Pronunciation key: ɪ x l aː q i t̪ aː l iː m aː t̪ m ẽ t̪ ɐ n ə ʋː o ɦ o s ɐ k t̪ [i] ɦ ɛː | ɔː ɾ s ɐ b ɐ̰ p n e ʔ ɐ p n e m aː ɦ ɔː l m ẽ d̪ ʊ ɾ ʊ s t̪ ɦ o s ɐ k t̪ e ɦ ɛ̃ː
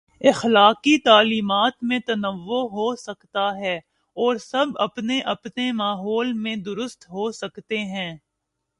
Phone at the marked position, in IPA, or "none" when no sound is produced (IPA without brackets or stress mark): a